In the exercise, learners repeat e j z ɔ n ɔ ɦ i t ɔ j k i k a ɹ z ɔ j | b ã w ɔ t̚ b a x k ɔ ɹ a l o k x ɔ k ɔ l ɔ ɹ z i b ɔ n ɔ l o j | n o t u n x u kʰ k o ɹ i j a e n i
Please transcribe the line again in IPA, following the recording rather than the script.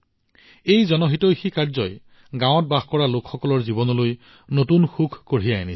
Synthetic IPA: e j z ɔ n ɔ ɦ i t ɔ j x i k a ɹ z ɔ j | ɡ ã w ɔ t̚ b a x k ɔ ɹ a l o k x ɔ k ɔ l ɔ ɹ z i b ɔ n ɔ l o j | n o t u n x u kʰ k o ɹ i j a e n i